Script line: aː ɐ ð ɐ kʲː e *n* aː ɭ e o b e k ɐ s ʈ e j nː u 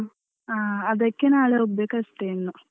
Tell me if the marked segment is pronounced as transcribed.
yes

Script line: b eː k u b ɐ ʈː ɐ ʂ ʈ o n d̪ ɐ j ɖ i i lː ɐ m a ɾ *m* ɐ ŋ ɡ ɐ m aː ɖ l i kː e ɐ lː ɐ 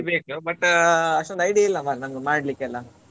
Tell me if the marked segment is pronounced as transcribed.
no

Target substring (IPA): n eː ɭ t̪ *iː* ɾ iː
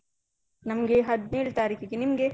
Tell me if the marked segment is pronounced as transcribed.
no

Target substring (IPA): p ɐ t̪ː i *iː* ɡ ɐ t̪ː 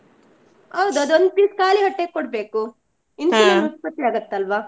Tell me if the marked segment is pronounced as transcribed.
no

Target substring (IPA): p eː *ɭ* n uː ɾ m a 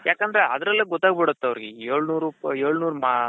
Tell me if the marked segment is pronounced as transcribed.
yes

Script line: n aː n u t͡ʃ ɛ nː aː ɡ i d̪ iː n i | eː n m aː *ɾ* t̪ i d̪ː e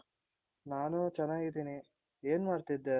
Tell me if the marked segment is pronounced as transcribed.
yes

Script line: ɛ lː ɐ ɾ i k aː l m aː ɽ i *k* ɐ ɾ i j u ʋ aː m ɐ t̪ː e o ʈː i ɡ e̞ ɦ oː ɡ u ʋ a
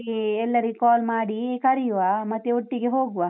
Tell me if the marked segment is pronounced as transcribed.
yes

